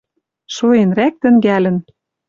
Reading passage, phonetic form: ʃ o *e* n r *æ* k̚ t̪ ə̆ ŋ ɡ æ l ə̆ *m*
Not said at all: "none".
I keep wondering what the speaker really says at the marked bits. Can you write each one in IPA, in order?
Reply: e, æ, n

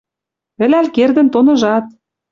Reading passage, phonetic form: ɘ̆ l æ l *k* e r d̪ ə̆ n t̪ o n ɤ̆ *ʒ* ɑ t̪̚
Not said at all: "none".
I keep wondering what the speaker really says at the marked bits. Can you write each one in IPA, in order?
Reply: k, ʒ

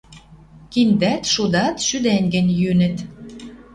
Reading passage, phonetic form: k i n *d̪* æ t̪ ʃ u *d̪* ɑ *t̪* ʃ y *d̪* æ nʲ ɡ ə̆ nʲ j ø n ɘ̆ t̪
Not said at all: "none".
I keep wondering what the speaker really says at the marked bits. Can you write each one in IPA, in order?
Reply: d̪, d̪, t̪, d̪

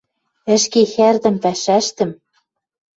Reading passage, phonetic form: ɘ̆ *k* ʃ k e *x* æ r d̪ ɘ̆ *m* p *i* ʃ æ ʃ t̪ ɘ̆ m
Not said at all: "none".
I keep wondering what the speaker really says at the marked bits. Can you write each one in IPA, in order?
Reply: none, x, m, æ

